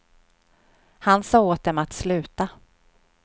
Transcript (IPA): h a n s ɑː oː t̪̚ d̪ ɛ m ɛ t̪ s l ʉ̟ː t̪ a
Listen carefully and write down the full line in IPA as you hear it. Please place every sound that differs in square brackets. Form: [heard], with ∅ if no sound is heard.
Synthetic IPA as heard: h a n s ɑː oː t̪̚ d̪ ɛ m [a] t̪ s l ʉ̟ː t̪ a